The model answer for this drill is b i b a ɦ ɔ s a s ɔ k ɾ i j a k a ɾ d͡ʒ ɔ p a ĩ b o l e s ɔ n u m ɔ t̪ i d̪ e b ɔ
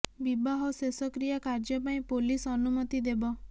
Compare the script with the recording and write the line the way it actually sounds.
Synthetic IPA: b i b a ɦ ɔ s e s ɔ k ɾ i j a k a ɾ d͡ʒ ɔ p a ĩ p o l i s ɔ n u m ɔ t̪ i d̪ e b ɔ